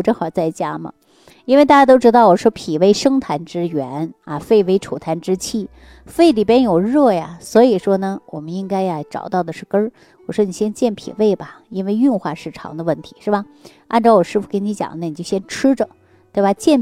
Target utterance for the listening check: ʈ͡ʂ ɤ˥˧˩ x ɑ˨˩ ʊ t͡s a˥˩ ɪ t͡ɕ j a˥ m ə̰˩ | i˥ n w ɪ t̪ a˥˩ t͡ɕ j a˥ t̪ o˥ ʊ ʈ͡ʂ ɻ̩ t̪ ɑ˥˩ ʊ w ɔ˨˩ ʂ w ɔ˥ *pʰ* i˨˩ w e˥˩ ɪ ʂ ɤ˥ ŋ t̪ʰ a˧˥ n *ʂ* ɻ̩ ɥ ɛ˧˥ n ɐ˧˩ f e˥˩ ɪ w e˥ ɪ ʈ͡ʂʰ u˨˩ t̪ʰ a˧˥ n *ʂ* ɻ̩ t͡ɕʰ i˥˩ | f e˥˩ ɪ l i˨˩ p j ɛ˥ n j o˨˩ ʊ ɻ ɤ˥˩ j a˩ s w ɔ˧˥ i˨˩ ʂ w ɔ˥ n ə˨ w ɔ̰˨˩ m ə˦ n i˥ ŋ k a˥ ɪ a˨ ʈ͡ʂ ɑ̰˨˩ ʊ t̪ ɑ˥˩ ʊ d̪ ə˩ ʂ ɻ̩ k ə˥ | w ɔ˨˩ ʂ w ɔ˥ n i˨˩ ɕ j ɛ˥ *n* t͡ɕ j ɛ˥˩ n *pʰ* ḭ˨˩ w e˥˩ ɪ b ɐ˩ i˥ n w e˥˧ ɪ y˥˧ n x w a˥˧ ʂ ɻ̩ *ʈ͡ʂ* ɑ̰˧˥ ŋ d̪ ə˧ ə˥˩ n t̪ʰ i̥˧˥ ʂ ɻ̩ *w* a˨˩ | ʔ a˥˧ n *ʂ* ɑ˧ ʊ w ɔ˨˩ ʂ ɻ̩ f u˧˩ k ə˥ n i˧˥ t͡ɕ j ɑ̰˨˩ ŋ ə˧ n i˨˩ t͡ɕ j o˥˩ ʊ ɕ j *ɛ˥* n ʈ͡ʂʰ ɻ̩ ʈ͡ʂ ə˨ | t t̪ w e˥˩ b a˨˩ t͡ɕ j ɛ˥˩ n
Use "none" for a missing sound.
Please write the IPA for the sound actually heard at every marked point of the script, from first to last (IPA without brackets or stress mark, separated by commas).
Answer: pʰ, ʈ͡ʂ, ʈ͡ʂ, n, pʰ, ʈ͡ʂʰ, b, ʈ͡ʂ, ɛ˥